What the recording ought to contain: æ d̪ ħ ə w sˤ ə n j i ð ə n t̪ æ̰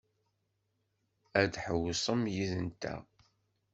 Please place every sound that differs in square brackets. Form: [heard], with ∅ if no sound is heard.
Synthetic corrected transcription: æ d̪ ħ ə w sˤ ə [m] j i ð ə n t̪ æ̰